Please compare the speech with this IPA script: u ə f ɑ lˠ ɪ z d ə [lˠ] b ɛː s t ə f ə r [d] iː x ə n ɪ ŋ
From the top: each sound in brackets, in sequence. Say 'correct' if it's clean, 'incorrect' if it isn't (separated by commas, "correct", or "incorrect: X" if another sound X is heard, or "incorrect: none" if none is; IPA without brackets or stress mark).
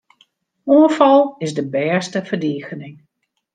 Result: incorrect: none, correct